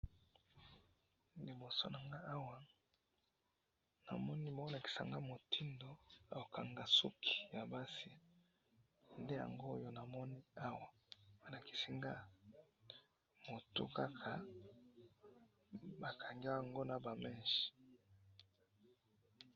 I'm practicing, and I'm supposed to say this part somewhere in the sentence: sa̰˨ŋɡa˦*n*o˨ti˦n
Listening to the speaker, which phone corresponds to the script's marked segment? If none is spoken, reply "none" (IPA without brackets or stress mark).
m